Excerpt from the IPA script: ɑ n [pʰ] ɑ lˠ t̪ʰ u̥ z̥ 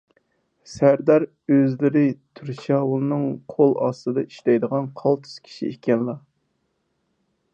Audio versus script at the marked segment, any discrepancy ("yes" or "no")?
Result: yes